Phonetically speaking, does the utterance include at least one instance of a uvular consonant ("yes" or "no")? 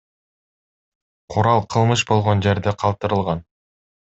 yes